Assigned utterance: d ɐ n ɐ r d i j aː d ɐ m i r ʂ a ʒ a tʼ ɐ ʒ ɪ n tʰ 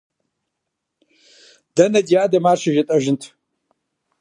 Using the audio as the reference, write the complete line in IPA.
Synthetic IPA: d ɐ n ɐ d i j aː d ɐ m a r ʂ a ʒ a tʼ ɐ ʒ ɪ n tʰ